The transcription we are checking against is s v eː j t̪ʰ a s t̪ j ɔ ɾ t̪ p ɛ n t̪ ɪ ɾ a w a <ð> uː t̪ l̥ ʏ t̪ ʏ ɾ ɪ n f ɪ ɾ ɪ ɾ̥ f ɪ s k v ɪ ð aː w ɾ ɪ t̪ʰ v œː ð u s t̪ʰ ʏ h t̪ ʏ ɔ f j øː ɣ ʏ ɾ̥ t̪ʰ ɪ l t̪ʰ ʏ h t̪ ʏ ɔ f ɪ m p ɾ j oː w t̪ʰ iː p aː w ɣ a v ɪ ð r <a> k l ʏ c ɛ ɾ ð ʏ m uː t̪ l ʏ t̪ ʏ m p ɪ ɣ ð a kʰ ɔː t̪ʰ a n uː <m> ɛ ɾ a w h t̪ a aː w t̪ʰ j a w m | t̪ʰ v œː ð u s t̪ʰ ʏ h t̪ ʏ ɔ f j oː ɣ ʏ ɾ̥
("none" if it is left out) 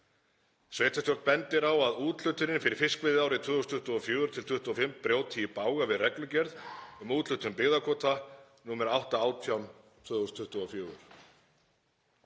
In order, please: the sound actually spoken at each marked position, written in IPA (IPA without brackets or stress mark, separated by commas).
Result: ð, ɛ, m